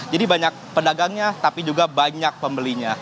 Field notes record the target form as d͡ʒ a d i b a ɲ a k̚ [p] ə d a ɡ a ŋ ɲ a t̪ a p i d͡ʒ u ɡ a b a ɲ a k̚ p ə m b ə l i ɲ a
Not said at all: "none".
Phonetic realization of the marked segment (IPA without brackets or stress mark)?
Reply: p